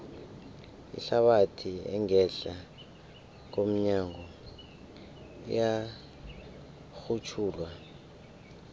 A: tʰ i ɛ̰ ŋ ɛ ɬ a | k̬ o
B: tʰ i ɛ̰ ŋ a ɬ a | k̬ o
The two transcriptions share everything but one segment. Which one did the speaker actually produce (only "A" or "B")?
A